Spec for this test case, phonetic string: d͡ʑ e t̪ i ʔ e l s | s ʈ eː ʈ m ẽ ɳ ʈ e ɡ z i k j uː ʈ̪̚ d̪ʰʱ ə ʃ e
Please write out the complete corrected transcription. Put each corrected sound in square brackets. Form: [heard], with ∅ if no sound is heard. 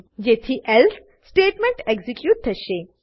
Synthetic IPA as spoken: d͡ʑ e [t̪ʰ] i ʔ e l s | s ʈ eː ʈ m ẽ ɳ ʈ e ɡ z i k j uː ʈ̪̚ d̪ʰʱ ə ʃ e